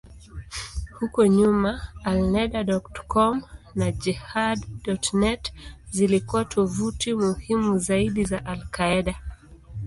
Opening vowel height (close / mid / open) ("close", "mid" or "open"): close